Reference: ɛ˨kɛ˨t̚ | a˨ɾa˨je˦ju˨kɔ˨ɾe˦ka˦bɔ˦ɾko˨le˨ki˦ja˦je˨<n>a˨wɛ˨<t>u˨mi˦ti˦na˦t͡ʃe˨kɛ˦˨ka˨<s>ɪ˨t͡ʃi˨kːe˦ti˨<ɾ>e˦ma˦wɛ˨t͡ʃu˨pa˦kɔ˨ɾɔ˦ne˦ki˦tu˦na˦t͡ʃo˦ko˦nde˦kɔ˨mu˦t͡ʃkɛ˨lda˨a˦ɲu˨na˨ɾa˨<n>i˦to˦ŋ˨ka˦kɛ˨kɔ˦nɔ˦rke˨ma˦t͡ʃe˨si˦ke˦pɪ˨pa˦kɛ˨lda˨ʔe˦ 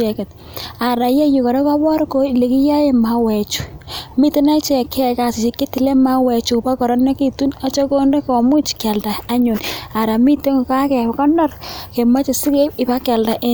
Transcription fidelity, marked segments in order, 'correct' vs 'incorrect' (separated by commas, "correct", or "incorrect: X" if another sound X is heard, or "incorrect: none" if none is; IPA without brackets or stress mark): incorrect: m, incorrect: t͡ʃ, correct, incorrect: l, incorrect: m